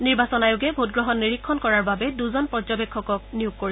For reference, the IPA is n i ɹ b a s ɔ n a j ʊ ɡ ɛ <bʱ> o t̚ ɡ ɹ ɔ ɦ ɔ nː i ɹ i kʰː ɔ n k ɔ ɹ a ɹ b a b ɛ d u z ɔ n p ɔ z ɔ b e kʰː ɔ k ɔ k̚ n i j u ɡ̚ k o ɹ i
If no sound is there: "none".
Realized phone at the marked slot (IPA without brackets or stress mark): bʱ